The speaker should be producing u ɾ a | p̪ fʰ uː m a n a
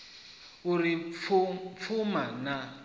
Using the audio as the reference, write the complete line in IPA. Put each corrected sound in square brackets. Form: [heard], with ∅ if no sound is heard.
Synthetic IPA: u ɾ [i] | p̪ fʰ [u] m a n a